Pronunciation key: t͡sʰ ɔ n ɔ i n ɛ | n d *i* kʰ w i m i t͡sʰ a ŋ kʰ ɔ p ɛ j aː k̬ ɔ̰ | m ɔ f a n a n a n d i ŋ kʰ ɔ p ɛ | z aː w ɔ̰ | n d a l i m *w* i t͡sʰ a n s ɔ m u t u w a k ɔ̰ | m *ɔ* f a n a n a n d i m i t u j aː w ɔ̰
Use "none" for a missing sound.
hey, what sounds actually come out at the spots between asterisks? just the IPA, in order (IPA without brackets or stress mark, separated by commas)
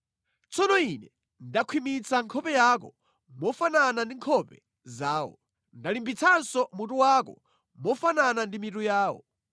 a, b, ɔ